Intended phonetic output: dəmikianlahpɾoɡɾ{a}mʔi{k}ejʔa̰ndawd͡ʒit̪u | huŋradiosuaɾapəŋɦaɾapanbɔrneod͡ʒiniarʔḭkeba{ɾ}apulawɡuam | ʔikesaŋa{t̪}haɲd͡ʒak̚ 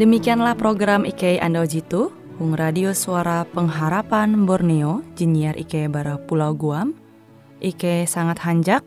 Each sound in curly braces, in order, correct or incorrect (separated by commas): correct, correct, correct, correct